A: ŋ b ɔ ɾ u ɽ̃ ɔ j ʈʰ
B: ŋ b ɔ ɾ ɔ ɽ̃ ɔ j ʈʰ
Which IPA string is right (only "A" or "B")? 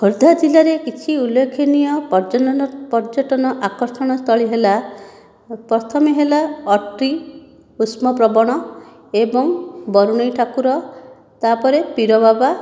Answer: A